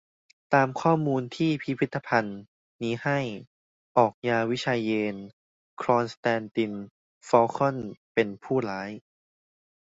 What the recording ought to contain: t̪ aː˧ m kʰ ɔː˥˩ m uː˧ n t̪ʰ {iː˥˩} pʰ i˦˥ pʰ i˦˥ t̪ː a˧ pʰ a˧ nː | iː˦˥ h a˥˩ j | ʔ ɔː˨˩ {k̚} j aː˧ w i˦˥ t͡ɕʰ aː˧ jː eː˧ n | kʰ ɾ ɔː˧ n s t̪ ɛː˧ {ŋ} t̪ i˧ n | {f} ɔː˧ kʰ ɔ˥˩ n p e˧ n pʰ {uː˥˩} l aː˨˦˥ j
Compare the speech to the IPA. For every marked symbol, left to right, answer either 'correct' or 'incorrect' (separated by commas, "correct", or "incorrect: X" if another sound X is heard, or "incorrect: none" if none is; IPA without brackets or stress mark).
correct, correct, incorrect: n, correct, correct